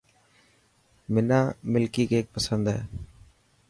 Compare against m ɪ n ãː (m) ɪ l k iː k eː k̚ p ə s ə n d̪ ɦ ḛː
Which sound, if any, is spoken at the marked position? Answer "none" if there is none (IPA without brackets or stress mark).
m